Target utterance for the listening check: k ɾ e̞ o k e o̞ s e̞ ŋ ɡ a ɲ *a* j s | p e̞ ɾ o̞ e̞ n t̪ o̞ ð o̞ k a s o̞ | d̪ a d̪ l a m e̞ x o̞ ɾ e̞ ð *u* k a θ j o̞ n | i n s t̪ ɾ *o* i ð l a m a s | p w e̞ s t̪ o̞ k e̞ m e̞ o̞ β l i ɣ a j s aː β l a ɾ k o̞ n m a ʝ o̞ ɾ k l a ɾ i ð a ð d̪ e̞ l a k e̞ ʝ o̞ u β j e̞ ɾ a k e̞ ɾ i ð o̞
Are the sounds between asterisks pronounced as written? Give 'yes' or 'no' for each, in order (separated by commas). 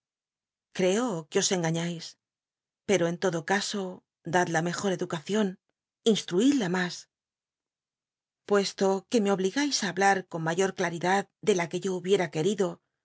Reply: yes, yes, no